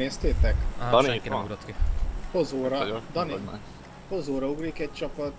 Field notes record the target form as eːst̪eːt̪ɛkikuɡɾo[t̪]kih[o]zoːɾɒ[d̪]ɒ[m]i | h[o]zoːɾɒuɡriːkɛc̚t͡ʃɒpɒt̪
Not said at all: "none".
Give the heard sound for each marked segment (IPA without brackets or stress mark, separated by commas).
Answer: t̪, o, d̪, n, o